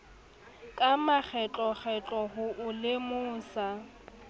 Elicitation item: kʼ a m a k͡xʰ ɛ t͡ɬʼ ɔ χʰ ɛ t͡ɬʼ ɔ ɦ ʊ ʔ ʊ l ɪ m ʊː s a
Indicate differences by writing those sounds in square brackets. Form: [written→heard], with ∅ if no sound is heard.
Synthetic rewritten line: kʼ a m a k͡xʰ ɛ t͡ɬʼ ɔ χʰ ɛ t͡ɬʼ ɔ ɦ ʊ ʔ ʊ l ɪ m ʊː s a